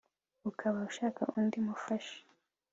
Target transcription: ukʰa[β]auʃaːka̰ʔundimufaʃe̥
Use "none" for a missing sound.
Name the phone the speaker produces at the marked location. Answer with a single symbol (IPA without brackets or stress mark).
β